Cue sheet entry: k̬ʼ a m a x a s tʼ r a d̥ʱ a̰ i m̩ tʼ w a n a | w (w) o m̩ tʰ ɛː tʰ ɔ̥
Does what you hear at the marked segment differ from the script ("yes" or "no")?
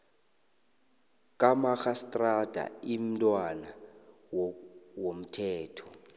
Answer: no